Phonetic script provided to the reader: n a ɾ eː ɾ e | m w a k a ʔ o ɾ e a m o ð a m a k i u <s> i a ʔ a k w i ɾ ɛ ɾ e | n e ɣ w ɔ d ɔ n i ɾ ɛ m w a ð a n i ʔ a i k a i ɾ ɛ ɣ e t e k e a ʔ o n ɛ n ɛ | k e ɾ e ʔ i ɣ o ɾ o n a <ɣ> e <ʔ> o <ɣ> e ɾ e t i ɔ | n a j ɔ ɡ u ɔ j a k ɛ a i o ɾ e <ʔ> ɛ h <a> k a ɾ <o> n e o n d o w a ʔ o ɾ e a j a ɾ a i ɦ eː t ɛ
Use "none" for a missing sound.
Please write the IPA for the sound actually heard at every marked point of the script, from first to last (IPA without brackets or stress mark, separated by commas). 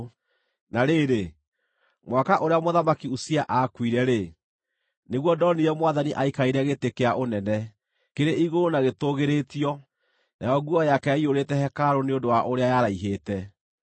s, ɣ, t, ɣ, t, ɛ, o